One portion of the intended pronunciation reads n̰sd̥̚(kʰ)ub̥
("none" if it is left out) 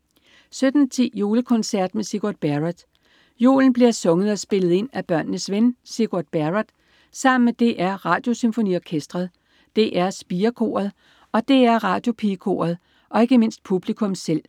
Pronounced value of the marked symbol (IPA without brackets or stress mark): pʰ